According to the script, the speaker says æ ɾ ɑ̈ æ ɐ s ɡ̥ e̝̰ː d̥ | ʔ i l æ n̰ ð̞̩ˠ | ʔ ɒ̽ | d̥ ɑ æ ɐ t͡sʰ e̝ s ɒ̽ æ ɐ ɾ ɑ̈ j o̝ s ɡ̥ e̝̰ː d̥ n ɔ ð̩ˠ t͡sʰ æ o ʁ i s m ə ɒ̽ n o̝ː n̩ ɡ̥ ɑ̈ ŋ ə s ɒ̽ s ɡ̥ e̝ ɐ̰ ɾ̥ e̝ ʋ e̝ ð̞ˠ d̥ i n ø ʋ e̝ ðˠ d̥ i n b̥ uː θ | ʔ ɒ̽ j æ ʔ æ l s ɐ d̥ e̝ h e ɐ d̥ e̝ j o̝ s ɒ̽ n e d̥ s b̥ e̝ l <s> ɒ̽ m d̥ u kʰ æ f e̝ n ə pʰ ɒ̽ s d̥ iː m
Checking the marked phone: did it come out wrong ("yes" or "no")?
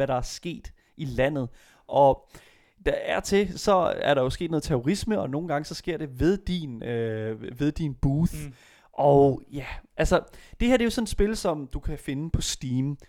no